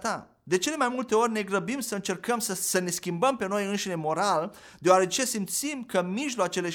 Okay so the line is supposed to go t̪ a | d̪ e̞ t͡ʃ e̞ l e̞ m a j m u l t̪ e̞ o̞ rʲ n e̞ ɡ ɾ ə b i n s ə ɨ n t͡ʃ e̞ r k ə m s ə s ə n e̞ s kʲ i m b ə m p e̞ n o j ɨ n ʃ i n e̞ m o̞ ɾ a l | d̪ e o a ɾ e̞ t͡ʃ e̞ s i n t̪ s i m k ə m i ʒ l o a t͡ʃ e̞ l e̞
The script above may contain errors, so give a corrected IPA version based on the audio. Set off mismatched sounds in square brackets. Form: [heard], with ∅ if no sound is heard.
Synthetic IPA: t̪ a | d̪ e̞ t͡ʃ e̞ l e̞ m a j m u l t̪ e̞ o̞ rʲ n e̞ ɡ ɾ ə b i [m] s ə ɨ n t͡ʃ e̞ r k ə m s ə s ə n e̞ s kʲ i m b ə m p e̞ n o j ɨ n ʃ i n e̞ m o̞ ɾ a l | d̪ e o a ɾ e̞ t͡ʃ e̞ s i [m] t̪ s i m k ə m i ʒ l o a t͡ʃ e̞ l e̞